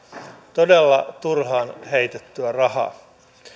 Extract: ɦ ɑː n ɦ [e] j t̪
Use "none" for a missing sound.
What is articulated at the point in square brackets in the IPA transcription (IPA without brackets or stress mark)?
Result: e